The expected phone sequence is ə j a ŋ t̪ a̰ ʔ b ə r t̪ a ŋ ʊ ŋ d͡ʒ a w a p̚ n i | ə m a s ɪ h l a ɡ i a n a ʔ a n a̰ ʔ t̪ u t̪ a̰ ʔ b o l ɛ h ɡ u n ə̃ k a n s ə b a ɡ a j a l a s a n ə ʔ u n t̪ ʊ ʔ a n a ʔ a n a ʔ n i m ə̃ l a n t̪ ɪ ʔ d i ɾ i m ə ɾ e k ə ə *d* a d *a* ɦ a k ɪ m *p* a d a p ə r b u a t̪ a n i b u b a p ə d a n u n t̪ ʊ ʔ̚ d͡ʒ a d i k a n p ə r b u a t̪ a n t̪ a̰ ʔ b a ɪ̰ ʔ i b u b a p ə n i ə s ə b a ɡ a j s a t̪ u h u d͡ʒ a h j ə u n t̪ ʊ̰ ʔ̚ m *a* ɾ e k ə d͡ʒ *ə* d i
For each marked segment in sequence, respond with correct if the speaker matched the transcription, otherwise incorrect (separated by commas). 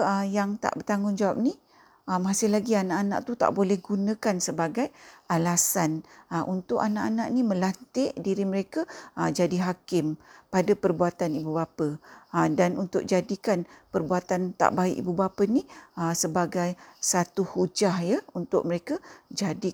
incorrect, incorrect, correct, incorrect, incorrect